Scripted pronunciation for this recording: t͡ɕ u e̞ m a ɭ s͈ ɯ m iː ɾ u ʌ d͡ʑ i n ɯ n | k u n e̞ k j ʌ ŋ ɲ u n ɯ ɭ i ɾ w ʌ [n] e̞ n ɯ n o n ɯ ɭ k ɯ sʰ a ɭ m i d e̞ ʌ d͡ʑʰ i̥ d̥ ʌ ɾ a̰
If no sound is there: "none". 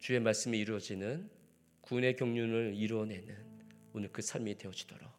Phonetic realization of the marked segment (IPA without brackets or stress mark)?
n